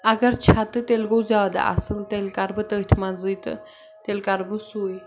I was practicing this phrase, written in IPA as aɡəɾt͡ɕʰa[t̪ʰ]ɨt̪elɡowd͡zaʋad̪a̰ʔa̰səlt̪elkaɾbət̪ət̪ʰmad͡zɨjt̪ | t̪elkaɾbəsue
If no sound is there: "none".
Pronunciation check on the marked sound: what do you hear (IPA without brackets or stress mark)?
t̪